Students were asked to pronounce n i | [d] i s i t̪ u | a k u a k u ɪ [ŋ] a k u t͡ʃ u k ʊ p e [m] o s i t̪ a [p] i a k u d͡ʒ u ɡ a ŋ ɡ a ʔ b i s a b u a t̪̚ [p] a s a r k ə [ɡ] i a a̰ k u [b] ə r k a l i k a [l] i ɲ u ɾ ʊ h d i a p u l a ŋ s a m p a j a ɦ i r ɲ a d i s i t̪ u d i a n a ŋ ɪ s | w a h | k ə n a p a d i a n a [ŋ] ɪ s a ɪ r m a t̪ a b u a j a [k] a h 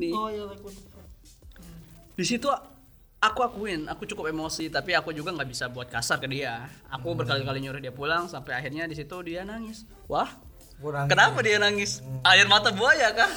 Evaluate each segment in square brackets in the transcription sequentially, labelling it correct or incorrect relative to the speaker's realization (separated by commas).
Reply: correct, incorrect, correct, correct, incorrect, incorrect, correct, correct, correct, correct